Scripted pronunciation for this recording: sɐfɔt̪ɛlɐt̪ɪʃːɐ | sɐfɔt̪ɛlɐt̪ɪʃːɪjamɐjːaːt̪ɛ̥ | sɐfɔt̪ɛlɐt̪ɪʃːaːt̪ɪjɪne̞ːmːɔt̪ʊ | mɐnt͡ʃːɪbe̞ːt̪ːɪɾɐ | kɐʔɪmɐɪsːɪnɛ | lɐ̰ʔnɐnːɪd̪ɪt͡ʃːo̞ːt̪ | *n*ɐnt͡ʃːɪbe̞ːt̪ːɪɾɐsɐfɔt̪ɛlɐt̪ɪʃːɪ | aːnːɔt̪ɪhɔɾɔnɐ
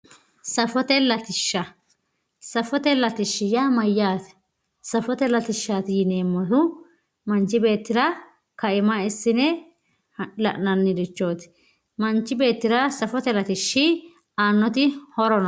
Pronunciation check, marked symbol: incorrect: m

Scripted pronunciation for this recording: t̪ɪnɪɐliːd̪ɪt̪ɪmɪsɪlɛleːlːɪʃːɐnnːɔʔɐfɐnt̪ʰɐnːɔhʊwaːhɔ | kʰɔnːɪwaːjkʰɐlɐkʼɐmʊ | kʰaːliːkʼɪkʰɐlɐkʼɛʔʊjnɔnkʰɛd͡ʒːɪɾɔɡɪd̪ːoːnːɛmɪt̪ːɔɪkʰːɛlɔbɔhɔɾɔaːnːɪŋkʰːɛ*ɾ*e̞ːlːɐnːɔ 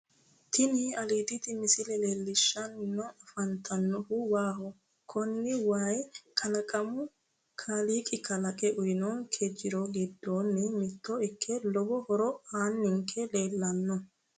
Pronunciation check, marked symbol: incorrect: l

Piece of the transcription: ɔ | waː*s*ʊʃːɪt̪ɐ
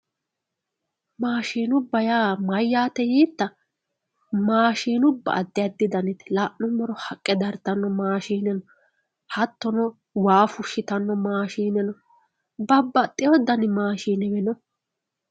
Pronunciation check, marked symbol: incorrect: f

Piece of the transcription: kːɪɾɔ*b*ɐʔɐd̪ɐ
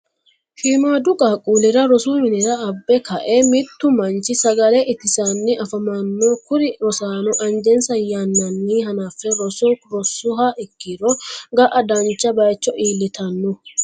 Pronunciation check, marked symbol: incorrect: ɡ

